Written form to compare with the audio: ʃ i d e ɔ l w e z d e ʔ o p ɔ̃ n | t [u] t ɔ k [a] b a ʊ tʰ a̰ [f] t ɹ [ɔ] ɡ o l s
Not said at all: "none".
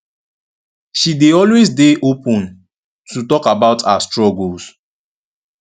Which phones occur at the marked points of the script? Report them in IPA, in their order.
u, a, s, ɔ

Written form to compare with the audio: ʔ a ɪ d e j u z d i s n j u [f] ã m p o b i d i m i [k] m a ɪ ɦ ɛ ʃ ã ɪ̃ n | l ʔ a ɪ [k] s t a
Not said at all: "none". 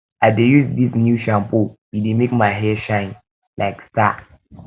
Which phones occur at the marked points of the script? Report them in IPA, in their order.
ʃ, k, k

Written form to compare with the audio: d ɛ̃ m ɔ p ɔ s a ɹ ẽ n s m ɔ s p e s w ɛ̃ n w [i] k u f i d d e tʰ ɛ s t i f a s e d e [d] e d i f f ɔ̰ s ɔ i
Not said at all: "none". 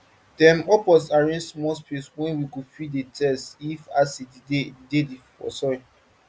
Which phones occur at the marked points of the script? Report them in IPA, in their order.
i, d

